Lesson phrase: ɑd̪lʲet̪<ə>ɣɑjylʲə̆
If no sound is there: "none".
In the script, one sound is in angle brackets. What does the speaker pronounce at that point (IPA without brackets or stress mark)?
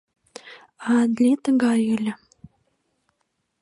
ə